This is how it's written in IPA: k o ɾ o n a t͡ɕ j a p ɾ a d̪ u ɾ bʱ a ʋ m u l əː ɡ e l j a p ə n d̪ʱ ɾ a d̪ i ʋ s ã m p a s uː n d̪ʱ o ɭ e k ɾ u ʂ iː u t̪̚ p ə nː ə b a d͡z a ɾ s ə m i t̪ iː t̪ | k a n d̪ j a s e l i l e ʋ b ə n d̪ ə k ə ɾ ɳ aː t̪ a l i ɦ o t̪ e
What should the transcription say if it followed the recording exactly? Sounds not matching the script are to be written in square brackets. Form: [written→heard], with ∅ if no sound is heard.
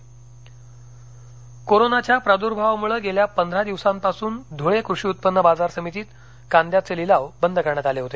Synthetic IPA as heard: k o ɾ o n a t͡ɕ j a p ɾ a d̪ u ɾ bʱ a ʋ m u [l→ɭ] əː ɡ e l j a p ə n d̪ʱ ɾ a d̪ i ʋ s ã m p a s uː n d̪ʱ o ɭ e k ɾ u ʂ iː u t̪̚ p ə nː ə b a d͡z a ɾ s ə m i t̪ iː t̪ | k a n d̪ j a [s→t͡s] e l i l [e→a] ʋ b ə n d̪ ə k ə ɾ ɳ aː t̪ a l [i→e] ɦ o t̪ e